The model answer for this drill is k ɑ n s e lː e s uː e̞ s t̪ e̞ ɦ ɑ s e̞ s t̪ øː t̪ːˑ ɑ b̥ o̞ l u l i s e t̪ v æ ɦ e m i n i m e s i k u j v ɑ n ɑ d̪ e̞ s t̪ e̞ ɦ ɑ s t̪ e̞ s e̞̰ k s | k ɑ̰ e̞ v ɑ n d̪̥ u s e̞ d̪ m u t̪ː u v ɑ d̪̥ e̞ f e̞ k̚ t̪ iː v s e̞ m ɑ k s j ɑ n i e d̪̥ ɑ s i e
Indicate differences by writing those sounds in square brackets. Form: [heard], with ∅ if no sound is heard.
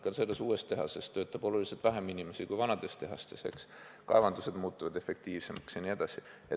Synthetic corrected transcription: k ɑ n s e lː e s uː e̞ s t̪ e̞ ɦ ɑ s e̞ s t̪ øː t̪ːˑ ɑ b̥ o̞ l u l i s e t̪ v æ ɦ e m i n i m e s i k u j v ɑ n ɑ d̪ e̞ s t̪ e̞ ɦ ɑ s t̪ e̞ s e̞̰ k s | k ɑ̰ e̞ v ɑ n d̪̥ u s e̞ d̪ m [uː] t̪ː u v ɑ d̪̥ e̞ f e̞ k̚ t̪ iː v s e̞ m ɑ k s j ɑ n i e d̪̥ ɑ s i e

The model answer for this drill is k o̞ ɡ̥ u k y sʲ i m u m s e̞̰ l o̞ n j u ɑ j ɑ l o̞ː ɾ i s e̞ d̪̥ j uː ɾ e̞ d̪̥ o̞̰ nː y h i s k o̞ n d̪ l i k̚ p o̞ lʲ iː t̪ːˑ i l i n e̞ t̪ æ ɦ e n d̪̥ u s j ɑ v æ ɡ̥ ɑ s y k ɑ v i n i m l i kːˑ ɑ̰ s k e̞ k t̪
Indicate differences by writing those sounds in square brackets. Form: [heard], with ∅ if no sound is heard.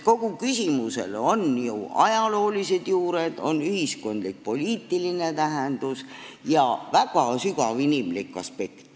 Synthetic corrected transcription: k o̞ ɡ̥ u k y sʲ i m u [∅] s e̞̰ l o̞ n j u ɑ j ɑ l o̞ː [l] i s e̞ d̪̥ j uː ɾ e̞ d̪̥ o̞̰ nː y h i s k o̞ n d̪ l i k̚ p o̞ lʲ iː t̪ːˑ i l i n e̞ t̪ æ ɦ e n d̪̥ u s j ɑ v æ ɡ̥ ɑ s y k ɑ v i n i m l i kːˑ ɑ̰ s [p] e̞ k t̪

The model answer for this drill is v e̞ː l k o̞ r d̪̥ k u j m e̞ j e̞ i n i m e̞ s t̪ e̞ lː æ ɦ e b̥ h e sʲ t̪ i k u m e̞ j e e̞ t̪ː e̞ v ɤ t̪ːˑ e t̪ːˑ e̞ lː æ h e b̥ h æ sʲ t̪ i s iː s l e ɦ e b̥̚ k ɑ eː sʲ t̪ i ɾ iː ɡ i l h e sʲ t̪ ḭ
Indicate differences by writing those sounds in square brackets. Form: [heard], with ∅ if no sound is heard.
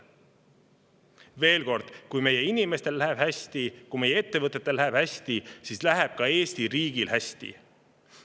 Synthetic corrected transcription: v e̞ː l k o̞ r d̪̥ k u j m e̞ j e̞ i n i m e̞ s t̪ e̞ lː æ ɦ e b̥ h [æ] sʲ t̪ i k u m e̞ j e e̞ t̪ː e̞ v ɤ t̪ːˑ e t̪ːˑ e̞ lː æ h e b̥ h æ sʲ t̪ i s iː s l [æ] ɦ e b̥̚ k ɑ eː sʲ t̪ i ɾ iː ɡ i l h [æ] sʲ t̪ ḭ

